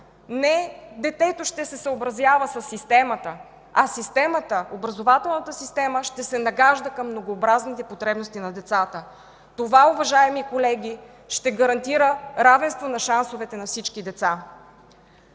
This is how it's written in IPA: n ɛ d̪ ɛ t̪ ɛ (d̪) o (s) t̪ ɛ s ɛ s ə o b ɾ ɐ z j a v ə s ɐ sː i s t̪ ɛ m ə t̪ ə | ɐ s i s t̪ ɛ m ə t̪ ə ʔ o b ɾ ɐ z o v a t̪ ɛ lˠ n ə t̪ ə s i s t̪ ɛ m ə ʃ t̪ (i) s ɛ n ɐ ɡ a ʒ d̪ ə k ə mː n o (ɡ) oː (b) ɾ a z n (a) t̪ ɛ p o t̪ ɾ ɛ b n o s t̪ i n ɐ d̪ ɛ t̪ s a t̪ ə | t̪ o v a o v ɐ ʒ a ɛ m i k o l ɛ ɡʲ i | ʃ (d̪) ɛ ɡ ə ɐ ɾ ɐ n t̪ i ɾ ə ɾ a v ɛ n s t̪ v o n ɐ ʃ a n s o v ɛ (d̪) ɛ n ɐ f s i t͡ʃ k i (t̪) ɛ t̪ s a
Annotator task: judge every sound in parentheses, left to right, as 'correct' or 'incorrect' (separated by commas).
incorrect, incorrect, incorrect, correct, correct, incorrect, incorrect, incorrect, incorrect